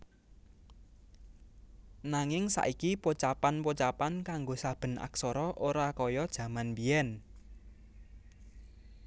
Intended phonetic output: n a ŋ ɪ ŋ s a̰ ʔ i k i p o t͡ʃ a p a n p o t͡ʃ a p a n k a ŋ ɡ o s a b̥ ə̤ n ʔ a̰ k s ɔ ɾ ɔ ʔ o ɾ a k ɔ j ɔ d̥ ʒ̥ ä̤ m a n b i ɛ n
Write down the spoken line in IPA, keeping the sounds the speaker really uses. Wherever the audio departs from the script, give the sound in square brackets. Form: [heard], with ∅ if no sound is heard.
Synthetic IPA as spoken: n a ŋ ɪ ŋ s a̰ ʔ i k i p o t͡ʃ a p a n p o t͡ʃ a p a n k a ŋ ɡ o s a b̥ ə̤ n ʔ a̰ k s ɔ ɾ ɔ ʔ o ɾ a k ɔ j ɔ d̥ ʒ̥ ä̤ m a n b i ɛ n